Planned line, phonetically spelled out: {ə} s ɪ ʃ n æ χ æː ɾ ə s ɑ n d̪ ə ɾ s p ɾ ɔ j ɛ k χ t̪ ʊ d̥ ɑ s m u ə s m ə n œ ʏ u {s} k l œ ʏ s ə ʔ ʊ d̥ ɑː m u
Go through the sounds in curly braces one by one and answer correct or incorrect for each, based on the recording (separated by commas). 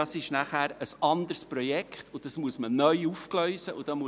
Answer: incorrect, incorrect